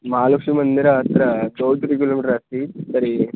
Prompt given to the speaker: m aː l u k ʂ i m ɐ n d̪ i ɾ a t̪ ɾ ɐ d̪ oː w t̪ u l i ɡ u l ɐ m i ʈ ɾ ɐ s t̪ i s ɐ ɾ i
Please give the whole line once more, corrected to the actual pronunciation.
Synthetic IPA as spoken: m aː l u k ʂ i m ɐ n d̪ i ɾ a t̪ ɾ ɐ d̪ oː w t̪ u ɾ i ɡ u l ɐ m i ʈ ɾ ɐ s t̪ i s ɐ ɾ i